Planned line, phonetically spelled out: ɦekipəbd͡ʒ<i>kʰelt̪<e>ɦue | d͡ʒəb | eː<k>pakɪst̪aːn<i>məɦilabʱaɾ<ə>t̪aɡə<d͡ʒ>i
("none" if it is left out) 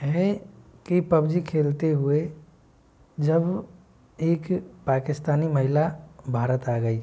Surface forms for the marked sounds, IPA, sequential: i, e, k, i, ə, none

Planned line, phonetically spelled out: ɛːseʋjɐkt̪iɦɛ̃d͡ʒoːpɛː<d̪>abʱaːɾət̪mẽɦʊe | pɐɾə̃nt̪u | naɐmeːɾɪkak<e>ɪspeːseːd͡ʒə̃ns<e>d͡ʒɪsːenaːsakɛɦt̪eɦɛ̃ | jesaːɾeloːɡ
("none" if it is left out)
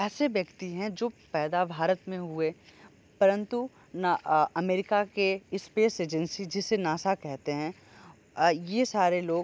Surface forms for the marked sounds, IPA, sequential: d̪, e, i

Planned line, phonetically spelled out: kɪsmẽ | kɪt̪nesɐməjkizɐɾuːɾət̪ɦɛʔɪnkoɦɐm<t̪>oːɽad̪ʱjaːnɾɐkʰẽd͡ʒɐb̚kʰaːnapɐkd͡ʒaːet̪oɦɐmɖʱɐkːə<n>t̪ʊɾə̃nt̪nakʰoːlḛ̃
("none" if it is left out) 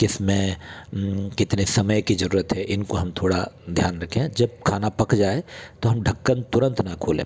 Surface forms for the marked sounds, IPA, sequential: t̪ʰ, n

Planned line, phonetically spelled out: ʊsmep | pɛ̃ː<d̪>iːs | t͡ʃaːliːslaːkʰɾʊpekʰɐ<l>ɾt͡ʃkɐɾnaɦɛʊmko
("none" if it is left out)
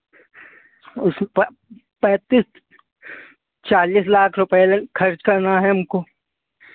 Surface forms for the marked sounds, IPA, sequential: t̪, none

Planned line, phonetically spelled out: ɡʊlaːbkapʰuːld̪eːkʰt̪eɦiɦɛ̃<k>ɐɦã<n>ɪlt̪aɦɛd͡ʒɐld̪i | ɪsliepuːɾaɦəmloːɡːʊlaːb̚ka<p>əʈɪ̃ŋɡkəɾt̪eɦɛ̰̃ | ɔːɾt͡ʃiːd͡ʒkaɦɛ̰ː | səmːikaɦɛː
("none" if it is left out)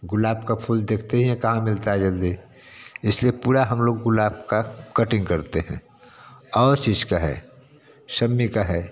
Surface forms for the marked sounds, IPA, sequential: k, m, k

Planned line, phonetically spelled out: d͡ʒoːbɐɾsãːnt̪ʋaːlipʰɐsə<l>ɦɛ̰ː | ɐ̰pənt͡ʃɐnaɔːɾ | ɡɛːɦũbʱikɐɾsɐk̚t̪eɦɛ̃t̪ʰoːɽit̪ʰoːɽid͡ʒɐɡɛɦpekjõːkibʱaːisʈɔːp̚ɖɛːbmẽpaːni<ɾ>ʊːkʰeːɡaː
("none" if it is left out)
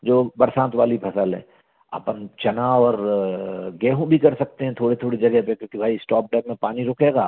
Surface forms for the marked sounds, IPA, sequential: l, ɾ

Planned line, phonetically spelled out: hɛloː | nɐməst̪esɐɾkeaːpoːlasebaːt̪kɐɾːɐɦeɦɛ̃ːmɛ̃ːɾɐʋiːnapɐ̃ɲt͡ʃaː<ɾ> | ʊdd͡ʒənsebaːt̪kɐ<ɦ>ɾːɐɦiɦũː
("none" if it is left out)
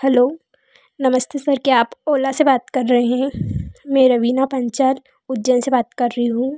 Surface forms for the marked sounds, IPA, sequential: l, none

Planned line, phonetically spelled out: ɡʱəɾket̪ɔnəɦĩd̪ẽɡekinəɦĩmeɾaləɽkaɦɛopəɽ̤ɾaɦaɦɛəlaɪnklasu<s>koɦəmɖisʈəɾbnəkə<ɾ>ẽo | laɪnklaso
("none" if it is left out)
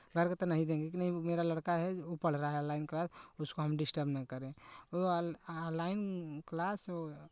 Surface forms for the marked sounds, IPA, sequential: s, ɾ

